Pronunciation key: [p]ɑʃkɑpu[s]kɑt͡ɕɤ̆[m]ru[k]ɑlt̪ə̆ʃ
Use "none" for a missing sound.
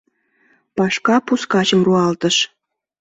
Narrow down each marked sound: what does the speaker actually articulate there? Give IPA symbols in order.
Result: p, s, m, none

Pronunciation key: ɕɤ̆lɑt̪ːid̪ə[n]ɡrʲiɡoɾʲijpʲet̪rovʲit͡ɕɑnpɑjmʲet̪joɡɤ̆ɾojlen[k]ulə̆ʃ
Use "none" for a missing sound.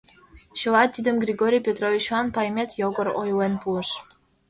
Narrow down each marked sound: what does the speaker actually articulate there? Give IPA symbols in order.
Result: m, p

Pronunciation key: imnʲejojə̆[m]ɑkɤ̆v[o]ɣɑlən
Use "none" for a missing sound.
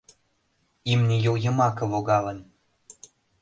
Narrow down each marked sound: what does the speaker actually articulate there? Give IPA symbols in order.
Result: m, o

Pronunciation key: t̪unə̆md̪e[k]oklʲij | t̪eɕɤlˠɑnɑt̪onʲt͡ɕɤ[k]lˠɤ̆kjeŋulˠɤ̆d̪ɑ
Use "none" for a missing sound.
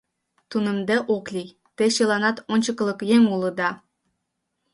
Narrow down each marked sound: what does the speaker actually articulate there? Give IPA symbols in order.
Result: ʔ, k

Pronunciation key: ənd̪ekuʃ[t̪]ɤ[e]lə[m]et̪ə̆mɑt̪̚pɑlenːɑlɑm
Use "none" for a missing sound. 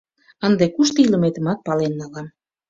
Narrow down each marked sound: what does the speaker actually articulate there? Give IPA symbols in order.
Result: t̪, i, m

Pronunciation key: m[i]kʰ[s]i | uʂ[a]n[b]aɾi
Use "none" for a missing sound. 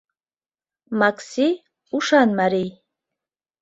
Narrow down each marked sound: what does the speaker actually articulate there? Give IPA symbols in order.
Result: a, s, a, m

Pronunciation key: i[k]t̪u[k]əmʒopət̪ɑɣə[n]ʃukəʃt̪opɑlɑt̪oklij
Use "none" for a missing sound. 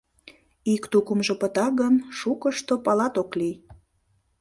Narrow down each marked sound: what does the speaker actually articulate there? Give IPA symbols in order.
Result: k, k, n

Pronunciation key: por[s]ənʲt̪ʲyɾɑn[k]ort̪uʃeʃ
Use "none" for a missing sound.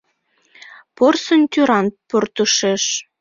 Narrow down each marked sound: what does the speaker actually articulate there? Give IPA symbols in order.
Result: s, p

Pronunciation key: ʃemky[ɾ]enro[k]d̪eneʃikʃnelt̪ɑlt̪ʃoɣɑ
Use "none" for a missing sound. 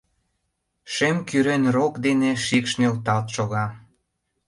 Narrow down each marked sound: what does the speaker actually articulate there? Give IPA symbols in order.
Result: ɾ, k

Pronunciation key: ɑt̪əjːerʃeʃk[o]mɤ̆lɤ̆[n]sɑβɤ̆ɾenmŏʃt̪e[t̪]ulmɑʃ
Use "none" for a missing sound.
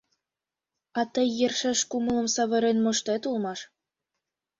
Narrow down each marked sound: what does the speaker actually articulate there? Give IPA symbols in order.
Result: u, m, t̪

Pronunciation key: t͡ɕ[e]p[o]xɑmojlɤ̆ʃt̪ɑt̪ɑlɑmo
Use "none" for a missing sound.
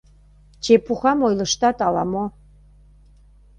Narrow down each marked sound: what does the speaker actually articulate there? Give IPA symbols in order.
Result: e, u

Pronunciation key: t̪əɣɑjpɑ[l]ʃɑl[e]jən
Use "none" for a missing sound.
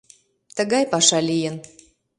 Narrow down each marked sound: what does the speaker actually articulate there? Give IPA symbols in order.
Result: none, i

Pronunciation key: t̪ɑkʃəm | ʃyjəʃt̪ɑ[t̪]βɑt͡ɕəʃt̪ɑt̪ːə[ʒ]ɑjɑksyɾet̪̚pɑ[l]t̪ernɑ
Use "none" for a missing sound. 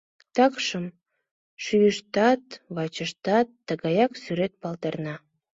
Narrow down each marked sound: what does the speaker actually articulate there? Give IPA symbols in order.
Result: t̪, ɣ, l

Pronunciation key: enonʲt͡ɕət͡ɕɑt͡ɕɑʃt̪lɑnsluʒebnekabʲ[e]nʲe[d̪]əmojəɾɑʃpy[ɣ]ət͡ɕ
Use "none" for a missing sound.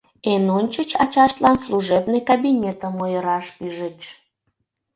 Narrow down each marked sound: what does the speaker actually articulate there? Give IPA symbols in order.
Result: i, t̪, ʒ

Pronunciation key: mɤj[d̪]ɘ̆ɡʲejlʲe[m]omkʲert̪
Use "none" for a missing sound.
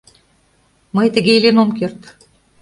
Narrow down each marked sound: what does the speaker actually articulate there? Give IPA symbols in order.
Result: t̪, n

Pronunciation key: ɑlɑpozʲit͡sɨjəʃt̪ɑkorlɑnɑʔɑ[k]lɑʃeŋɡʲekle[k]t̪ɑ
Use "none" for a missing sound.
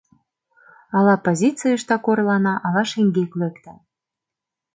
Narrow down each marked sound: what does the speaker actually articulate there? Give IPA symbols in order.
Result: none, k

